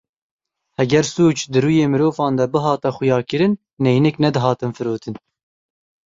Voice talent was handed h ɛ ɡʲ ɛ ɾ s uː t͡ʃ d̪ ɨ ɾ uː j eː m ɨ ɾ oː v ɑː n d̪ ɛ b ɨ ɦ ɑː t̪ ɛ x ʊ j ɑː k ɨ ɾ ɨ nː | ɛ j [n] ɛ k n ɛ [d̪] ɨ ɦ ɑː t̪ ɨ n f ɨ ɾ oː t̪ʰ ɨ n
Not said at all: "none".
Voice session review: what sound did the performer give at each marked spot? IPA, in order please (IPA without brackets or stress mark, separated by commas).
n, d̪